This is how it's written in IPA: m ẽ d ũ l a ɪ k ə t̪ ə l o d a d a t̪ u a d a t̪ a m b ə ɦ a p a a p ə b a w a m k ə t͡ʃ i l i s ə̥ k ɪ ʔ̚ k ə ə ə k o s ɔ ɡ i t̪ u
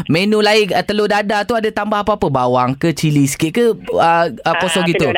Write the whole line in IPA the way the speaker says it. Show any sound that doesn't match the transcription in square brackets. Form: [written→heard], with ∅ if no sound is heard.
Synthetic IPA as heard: m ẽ [d→n] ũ l a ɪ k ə t̪ ə l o d a d a t̪ u a d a t̪ a m b [ə→a] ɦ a p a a p ə b a w a [m→ŋ] k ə t͡ʃ i l i s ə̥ k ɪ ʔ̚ k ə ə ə k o s ɔ ɡ i t̪ u